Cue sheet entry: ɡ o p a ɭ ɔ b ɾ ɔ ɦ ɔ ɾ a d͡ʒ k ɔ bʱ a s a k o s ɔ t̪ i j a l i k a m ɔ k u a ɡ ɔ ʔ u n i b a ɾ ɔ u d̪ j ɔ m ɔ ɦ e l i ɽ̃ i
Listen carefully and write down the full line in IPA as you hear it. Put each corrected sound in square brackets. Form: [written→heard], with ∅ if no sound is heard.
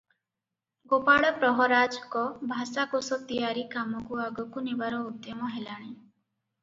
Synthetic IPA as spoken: ɡ o p a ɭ ɔ [b→p] ɾ ɔ ɦ ɔ ɾ a d͡ʒ k ɔ bʱ a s a k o s ɔ t̪ i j a [l→ɾ] i k a m ɔ k u a ɡ ɔ [ʔ→k] u n i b a ɾ ɔ u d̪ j ɔ m ɔ ɦ e l [i→a] ɽ̃ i